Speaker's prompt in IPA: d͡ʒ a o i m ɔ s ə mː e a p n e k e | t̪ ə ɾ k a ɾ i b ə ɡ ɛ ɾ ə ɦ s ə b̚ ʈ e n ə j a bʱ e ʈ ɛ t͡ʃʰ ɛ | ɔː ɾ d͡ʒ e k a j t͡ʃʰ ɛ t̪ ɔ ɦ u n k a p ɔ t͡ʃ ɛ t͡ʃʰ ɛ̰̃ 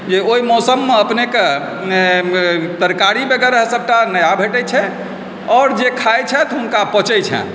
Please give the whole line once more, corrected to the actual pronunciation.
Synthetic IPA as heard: d͡ʒ e o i m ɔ s ə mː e ə p n e k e | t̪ ə ɾ k a ɾ i b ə ɡ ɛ ɾ ə ɦ s ə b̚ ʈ a n ə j a bʱ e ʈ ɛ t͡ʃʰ ɛ | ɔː ɾ d͡ʒ e kʰ a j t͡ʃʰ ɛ t̪ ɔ ɦ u n k a p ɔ t͡ʃ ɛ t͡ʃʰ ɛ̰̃